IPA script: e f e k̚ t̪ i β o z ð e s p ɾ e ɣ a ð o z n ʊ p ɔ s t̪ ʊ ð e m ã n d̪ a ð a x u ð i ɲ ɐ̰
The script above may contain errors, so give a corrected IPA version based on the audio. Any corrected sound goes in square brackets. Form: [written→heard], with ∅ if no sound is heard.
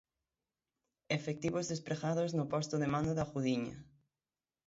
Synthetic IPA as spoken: e f e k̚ t̪ i β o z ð e s p ɾ e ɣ a ð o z n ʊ p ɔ s t̪ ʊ ð e m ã n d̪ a ð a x u ð i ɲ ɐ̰